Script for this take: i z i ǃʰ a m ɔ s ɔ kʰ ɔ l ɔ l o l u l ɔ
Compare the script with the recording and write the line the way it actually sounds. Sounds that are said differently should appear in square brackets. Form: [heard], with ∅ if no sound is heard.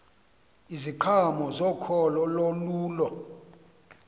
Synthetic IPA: i z i ǃʰ a m ɔ [z] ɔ kʰ ɔ l ɔ l o l [uː] l ɔ